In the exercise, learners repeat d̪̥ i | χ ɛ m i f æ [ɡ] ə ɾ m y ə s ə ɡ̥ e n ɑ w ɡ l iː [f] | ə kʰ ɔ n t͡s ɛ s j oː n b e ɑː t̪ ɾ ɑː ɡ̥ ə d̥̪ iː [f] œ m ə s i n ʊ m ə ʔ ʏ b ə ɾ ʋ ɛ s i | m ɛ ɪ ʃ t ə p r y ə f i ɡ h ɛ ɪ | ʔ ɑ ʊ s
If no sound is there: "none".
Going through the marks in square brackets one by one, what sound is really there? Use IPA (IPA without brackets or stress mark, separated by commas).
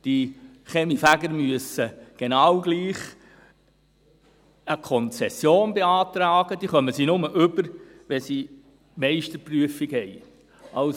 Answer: ɡ, χ, χ